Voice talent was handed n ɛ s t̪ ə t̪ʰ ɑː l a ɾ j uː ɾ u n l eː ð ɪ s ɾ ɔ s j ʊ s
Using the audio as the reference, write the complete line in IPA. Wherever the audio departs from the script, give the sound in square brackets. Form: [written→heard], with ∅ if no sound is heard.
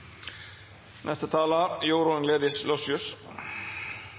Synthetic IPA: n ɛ s t̪ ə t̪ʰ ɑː l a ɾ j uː ɾ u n l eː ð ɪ s [ɾ→l] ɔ s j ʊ s

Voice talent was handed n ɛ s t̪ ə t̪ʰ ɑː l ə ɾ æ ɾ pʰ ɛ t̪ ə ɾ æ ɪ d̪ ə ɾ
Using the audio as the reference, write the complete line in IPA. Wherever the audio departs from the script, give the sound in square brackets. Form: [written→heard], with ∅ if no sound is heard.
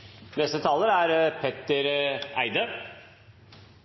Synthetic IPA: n ɛ s t̪ ə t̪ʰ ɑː l ə ɾ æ ɾ pʰ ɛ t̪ ə ɾ æ ɪ d̪ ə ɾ

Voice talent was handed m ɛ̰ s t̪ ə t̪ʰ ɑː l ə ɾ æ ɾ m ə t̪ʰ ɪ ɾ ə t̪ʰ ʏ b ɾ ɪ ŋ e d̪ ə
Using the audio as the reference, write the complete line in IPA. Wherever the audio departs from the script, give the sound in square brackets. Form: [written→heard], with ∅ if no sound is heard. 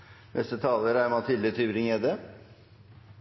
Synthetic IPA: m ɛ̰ s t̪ ə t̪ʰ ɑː l ə ɾ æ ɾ m [ə→ɑ] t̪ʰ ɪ [ɾ→l] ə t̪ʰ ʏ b ɾ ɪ ŋ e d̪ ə

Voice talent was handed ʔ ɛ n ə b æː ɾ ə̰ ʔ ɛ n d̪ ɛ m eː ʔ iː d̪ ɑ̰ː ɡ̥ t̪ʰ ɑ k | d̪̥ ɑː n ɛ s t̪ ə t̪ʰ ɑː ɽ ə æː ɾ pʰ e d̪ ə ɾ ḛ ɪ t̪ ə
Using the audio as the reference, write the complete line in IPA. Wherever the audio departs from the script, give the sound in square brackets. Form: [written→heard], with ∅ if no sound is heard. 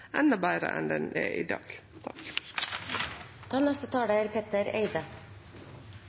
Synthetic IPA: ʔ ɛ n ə b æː ɾ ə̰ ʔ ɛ n d̪ ɛ [m→n] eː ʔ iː d̪ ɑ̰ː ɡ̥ t̪ʰ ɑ k | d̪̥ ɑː n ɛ s t̪ ə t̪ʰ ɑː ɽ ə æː ɾ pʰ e [d̪→t̪] ə ɾ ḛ ɪ [t̪→d̪] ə

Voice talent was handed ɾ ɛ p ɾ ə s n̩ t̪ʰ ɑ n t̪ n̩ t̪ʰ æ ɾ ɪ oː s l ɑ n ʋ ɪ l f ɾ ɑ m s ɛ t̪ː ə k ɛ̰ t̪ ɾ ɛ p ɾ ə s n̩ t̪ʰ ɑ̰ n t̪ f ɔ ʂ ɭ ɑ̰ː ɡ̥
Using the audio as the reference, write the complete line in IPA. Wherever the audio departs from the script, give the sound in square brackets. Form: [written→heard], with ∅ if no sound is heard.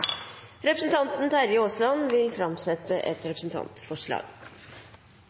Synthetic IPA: ɾ ɛ p ɾ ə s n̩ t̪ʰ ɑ n t̪ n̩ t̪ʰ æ ɾ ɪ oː s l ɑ n ʋ ɪ l f ɾ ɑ m s ɛ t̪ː ə [k→ʔ] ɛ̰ t̪ ɾ ɛ p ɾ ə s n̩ t̪ʰ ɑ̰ n t̪ f ɔ ʂ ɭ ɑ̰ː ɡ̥

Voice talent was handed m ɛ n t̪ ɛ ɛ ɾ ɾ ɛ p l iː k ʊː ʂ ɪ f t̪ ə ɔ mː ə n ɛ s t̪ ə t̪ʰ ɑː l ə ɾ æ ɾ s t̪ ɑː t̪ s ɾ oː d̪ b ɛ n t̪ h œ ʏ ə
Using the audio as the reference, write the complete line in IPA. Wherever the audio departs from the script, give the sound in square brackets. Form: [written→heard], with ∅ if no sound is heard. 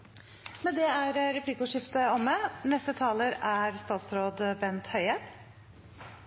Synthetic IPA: m ɛ n [t̪→d̪] ɛ [ɛ→æ] ɾ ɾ ɛ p l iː k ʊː ʂ ɪ f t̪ ə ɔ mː ə n ɛ s t̪ ə t̪ʰ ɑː l ə ɾ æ ɾ s t̪ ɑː t̪ s ɾ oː d̪ b ɛ n t̪ h œ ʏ ə

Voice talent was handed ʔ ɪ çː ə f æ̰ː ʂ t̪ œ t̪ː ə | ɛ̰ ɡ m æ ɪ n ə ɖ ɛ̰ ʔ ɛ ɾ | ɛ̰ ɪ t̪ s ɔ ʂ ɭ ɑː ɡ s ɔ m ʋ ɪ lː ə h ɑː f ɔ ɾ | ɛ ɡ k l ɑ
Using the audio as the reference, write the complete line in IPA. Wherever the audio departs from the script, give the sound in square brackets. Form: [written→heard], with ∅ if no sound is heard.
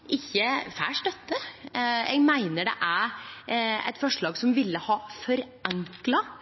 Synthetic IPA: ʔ ɪ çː ə f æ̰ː ʂ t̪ œ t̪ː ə | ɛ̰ ɡ m æ ɪ n ə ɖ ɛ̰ ʔ [ɛ→æ] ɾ | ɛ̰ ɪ t̪ [s→f] ɔ ʂ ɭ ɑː ɡ s ɔ m ʋ ɪ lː ə h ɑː f ɔ ɾ | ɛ [ɡ→ŋ] k l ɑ

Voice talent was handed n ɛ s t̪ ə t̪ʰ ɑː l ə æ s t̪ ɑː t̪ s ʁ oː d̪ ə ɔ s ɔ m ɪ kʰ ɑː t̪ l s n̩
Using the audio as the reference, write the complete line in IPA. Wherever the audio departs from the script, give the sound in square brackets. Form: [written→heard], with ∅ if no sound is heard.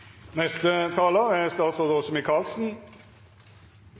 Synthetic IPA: n ɛ s t̪ ə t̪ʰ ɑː l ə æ s t̪ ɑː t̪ s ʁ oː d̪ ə ɔ s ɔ m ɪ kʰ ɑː [t̪→∅] l s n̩

